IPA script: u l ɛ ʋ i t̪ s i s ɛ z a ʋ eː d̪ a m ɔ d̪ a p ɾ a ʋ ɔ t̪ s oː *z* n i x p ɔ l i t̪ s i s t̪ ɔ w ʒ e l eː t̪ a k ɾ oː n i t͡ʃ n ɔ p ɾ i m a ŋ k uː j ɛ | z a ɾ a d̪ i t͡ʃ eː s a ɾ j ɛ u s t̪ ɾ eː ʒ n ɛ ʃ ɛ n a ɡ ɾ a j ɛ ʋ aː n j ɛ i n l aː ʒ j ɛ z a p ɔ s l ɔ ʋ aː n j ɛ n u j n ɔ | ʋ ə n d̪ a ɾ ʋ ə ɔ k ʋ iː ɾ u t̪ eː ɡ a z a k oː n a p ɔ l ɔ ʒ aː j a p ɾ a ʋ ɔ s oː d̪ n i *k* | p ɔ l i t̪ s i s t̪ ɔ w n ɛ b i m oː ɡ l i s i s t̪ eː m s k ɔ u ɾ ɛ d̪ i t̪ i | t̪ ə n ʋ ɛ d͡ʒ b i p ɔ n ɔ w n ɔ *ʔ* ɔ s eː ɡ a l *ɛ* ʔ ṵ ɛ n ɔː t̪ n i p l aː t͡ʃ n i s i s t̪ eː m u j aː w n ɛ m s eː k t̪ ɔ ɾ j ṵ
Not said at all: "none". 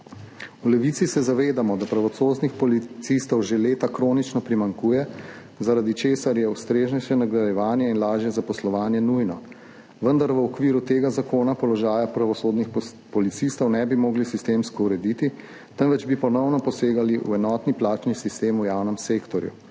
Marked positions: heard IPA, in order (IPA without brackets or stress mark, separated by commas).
z, x, p, i